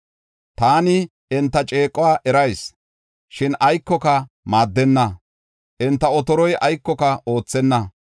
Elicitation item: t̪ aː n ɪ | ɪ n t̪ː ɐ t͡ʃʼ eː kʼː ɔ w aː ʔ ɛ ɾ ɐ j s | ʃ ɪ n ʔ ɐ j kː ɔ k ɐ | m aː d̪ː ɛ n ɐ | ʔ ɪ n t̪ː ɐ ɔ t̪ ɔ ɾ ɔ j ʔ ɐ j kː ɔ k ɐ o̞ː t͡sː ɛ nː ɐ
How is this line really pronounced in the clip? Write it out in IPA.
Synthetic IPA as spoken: t̪ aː n ɪ | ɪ n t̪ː ɐ t͡ʃʼ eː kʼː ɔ w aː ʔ ɛ ɾ ɐ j s | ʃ ɪ n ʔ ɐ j kː ɔ k ɐ | m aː d̪ː ɛ nː ɐ | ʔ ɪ n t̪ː ɐ ɔ t̪ ɔ ɾ ɔ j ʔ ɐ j kː ɔ k ɐ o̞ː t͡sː ɛ nː ɐ